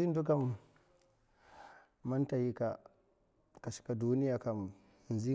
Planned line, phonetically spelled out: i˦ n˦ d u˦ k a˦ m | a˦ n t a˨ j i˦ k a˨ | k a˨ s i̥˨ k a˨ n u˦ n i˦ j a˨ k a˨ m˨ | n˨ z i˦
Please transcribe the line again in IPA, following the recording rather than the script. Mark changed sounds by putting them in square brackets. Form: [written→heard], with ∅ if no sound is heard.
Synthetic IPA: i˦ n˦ d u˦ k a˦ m | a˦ n t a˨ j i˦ k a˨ | k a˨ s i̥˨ k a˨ [n→d] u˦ n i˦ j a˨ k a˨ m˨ | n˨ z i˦